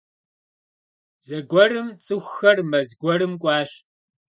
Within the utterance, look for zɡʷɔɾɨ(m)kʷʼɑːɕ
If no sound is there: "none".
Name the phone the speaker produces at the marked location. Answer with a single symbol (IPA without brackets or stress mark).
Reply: m